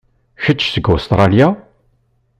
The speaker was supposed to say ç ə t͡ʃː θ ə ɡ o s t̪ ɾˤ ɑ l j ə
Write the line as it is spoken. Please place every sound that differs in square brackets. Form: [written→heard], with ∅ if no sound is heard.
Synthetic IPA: ç ə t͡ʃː [θ→s] ə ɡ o s t̪ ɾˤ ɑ l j [ə→a]